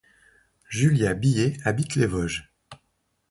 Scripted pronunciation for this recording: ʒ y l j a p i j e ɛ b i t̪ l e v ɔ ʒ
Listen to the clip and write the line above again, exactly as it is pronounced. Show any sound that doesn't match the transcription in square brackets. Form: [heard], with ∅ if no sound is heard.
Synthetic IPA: ʒ y l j a [b] i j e [a] b i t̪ l e v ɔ ʒ